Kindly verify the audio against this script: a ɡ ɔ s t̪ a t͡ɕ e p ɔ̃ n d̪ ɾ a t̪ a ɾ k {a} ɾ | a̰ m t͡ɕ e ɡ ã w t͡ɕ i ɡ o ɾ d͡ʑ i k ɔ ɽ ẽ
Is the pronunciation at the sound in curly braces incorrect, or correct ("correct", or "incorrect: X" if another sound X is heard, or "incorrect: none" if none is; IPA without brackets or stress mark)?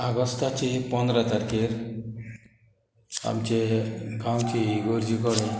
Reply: incorrect: e